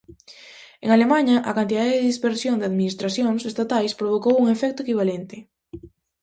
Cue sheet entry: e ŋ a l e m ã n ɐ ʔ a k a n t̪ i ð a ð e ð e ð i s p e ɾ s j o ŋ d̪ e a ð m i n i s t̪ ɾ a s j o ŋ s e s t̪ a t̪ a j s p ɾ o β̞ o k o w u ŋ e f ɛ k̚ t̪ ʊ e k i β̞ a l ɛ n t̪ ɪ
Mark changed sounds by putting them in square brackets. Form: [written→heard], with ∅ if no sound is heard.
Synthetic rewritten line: e ŋ a l e m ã [n→ɲ] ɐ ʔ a k a n t̪ i ð a ð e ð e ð i s p e ɾ s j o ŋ d̪ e a ð m i n i s t̪ ɾ a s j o ŋ s e s t̪ a t̪ a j s p ɾ o β̞ o k o w u ŋ e f ɛ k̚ t̪ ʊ e k i β̞ a l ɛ n t̪ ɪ